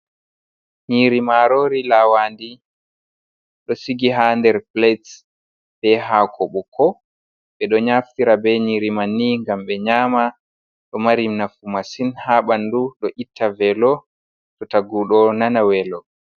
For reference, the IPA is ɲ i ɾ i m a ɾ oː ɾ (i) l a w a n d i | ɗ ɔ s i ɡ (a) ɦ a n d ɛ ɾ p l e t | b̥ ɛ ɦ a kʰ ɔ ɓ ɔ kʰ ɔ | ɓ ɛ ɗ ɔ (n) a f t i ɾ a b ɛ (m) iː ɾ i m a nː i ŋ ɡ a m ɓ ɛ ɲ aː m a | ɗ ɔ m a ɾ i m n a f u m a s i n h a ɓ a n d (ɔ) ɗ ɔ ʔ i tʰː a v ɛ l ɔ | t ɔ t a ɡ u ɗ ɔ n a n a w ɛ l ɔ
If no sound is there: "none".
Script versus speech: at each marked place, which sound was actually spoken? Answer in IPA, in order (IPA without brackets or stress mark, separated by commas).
i, i, ɲ, ɲ, u